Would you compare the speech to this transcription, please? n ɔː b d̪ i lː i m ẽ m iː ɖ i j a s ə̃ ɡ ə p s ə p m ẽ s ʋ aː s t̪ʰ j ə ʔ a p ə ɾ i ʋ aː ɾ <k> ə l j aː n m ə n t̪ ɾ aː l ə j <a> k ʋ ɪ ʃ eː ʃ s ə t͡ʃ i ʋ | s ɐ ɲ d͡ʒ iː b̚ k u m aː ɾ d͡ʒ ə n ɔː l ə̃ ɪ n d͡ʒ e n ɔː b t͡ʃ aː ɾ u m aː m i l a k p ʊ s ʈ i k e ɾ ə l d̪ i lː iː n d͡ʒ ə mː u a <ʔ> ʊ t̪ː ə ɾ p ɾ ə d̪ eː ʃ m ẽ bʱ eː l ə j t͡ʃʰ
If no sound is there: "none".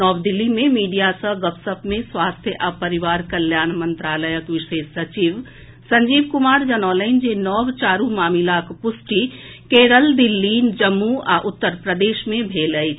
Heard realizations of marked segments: k, ə, ʔ

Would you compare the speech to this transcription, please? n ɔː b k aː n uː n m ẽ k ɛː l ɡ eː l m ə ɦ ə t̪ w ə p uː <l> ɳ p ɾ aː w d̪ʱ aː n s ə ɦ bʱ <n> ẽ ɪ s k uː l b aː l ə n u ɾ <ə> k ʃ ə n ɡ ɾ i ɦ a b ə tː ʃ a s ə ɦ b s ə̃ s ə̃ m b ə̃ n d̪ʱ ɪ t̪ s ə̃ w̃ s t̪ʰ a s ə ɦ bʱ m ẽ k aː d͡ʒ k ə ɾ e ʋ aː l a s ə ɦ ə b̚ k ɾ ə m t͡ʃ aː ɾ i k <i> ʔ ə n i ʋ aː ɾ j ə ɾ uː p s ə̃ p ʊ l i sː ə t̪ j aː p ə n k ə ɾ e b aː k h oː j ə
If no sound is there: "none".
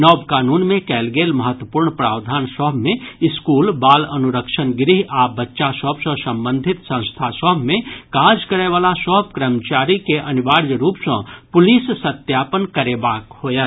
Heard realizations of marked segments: ɾ, m, ə, e

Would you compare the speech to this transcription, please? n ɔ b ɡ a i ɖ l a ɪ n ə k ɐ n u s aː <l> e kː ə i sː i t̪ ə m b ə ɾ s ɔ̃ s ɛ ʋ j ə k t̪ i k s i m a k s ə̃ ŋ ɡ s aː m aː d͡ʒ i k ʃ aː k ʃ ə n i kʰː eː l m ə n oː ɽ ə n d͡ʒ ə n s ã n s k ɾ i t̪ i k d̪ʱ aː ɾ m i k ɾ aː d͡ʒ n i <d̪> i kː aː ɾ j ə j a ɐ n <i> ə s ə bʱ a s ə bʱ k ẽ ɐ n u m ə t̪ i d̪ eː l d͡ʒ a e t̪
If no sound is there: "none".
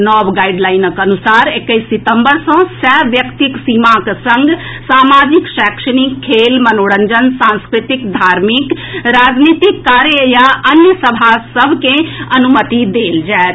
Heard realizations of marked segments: ɾ, t̪, j

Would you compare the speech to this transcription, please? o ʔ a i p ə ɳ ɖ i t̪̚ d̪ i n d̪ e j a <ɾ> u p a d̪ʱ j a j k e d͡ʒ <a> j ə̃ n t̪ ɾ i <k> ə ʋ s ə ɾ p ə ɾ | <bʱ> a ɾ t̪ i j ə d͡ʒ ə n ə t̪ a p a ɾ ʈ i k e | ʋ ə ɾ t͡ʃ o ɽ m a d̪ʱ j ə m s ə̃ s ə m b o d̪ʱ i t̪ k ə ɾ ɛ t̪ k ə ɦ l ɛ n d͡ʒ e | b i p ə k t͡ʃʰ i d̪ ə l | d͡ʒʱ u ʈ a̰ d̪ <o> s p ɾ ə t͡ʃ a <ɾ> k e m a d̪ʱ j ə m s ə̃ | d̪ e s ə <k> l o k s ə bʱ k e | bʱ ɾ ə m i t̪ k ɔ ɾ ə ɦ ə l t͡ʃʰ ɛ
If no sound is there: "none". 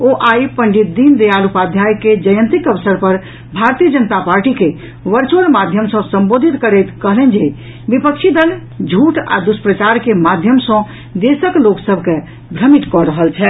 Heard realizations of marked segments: l, ə, k, bʱ, u, ɾ, k

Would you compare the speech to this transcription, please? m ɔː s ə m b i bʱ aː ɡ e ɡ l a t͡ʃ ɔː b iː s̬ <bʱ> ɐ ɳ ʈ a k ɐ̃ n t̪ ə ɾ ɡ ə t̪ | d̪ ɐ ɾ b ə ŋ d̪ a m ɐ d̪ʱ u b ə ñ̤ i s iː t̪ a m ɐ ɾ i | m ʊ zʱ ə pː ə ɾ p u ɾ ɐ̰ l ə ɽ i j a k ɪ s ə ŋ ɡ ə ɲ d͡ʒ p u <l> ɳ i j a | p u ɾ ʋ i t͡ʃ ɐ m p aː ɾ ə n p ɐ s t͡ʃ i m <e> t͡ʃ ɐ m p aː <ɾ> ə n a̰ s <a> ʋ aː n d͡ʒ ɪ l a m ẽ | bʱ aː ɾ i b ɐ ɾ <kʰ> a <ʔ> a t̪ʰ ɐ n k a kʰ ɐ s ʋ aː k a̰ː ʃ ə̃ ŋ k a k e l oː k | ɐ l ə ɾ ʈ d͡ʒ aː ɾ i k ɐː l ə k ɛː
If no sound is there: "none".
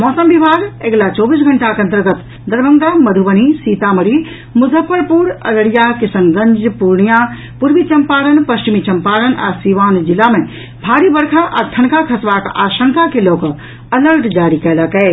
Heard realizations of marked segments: ɡʱ, ɾ, i, ɾ, i, kʰ, ʔ

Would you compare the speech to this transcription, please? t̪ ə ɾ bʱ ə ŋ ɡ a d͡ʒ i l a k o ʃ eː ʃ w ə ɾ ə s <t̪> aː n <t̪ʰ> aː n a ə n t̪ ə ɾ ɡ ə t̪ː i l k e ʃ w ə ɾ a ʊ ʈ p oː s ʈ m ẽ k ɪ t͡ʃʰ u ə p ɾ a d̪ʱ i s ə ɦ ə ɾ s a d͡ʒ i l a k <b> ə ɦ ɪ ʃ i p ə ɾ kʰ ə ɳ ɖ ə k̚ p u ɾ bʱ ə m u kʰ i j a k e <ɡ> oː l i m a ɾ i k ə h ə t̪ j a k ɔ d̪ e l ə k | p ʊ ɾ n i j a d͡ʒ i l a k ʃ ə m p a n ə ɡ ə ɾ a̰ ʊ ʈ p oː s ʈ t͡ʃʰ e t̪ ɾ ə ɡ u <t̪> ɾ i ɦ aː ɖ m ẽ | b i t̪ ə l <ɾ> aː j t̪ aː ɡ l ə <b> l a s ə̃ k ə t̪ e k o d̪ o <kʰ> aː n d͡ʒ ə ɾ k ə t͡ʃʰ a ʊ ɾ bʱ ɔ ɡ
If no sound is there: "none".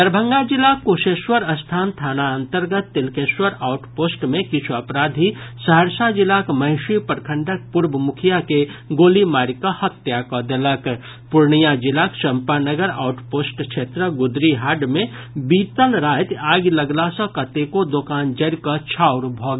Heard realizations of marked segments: t̪ʰ, t̪ʰ, m, ɡ, d̪, ɾ, ɡ, k

